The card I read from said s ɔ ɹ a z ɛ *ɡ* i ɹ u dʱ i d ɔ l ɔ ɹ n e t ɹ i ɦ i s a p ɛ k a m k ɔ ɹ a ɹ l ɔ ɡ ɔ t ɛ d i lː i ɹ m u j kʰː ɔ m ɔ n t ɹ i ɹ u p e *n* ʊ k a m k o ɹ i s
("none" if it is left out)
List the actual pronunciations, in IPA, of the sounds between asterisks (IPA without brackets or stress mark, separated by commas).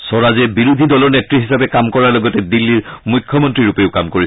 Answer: b, none